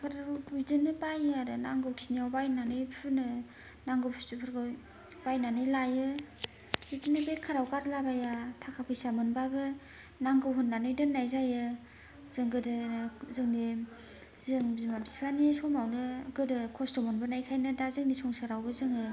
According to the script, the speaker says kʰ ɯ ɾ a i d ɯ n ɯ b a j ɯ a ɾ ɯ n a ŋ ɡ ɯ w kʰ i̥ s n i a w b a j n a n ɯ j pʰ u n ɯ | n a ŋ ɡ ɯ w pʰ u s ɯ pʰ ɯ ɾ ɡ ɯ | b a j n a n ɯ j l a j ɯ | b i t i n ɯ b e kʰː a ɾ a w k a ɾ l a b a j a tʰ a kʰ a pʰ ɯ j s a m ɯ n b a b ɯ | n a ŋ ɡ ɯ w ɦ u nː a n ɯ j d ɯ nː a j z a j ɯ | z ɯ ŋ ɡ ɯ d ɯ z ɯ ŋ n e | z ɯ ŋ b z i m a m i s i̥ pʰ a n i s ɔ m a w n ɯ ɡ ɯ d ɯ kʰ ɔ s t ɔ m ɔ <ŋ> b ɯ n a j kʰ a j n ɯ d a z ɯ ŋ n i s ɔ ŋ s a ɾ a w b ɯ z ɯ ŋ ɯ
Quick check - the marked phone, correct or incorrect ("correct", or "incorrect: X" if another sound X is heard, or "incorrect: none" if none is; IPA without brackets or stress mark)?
incorrect: n